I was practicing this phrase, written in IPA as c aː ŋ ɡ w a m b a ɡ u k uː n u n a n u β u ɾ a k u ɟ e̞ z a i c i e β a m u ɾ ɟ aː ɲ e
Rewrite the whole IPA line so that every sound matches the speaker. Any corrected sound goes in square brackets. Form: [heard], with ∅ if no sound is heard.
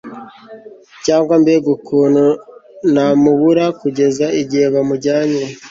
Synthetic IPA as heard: c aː ŋ ɡ w a m b [e] ɡ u k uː n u n a [m] u β u ɾ a k u ɟ e̞ z a i [ɟ] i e β a m u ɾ ɟ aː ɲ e

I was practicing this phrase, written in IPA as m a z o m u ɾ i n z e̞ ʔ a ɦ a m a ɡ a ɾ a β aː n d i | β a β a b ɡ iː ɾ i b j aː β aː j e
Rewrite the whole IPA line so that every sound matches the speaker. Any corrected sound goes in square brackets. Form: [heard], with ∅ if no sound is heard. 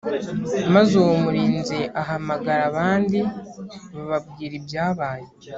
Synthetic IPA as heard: m a z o m u ɾ [iː] n z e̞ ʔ a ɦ a m a ɡ a ɾ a β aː n d i | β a β a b ɡ iː ɾ i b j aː β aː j e

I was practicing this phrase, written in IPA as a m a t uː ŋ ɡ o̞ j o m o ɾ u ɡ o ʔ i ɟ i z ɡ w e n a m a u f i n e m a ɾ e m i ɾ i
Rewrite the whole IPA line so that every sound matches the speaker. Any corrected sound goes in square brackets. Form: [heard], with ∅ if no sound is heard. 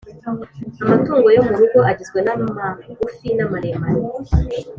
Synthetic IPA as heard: a m a t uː ŋ ɡ o̞ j o m [u] ɾ u ɡ o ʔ [a] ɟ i z ɡ w e n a m a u f i n [a] m a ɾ e m [a] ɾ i

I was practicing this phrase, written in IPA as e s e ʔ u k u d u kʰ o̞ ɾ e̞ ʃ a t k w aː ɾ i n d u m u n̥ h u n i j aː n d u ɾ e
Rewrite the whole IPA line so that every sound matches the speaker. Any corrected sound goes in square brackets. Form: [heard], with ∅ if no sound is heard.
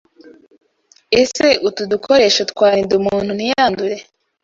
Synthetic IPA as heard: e s e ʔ u [t] u d u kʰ o̞ ɾ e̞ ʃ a t k w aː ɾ i n d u m [uː] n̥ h u n i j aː n d u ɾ e

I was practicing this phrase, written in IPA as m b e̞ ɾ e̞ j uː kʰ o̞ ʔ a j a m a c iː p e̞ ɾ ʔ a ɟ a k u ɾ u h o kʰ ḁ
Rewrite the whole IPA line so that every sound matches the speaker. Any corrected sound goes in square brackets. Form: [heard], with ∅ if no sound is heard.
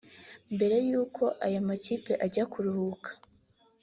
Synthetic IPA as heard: m b e̞ ɾ e̞ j uː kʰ o̞ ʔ a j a m a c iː p e̞ [∅] ʔ a ɟ a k u ɾ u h [u] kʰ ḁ

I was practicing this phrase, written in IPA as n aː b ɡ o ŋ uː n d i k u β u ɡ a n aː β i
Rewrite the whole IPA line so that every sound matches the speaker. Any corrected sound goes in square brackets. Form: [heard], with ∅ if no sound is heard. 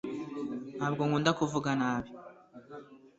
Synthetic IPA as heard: n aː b ɡ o ŋ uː n d [a] k u [v] u ɡ a n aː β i

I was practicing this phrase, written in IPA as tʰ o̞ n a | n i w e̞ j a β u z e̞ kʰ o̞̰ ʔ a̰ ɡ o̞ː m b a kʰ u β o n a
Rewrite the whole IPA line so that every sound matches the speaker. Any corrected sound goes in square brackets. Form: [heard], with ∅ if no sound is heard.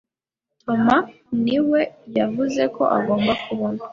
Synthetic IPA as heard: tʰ o̞ [m] a | n i w e̞ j a [v] u z e̞ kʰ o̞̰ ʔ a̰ ɡ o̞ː m b a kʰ u β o n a

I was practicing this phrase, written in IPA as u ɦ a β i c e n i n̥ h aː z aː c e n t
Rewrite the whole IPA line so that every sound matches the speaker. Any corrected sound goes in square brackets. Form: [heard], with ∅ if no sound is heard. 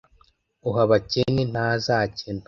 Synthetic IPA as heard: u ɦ a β [a] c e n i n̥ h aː z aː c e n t

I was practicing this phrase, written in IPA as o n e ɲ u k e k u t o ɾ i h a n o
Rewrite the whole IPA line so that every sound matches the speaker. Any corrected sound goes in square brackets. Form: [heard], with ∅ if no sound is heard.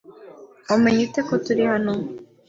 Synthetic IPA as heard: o [m] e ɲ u [t] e k [o] t [u] ɾ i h a n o

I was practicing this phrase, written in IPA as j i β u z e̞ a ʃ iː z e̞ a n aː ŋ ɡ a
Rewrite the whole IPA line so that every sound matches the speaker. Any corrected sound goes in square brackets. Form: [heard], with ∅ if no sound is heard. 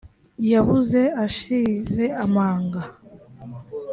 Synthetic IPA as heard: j [a] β u z e̞ a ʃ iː z e̞ a [m] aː ŋ ɡ a

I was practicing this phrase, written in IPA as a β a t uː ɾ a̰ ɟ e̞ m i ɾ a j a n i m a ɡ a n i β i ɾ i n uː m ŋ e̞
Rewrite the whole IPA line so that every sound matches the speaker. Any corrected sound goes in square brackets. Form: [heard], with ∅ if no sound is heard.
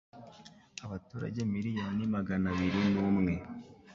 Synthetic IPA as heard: a β a t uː ɾ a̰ ɟ e̞ m i ɾ [i] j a n i m a ɡ a n [a] β i ɾ i n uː m ŋ e̞

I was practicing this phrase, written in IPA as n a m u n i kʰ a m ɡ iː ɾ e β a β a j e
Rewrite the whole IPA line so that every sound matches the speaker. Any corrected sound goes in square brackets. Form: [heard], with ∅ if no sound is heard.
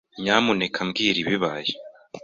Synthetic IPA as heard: [ɲ] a m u n [e] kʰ a m ɡ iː ɾ [i] β [i] β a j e

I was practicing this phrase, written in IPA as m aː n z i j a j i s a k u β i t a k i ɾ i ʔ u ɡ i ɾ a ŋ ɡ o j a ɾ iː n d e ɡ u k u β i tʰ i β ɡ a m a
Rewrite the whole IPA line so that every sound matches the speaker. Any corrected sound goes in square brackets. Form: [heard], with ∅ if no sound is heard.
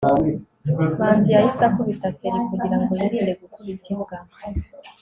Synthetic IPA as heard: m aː n z i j a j i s a k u β i t a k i ɾ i [k] u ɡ i ɾ a ŋ ɡ o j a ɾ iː n d e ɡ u k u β i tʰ i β ɡ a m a

